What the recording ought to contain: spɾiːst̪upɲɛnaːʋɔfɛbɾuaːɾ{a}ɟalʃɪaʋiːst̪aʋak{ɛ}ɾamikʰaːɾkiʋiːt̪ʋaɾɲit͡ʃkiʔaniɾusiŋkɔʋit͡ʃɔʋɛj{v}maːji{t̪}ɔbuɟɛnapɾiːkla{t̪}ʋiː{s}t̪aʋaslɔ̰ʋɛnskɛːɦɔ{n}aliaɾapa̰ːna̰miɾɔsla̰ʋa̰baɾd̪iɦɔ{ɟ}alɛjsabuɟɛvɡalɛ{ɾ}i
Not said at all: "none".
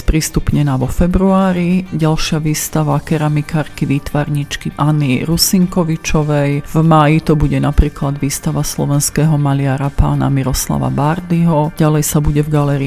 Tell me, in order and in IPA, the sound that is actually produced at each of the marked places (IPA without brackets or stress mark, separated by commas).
i, ɛ, v, t̪, d̪, s, m, ɟ, ɾ